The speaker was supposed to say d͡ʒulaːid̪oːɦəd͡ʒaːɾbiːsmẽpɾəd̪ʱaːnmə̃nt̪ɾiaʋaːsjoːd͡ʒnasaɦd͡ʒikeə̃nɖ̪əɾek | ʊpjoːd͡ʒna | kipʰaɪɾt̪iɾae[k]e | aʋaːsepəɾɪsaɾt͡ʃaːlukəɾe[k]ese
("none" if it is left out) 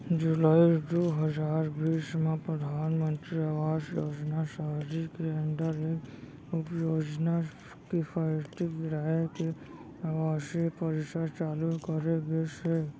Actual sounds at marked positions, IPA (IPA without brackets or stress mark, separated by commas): k, ɡ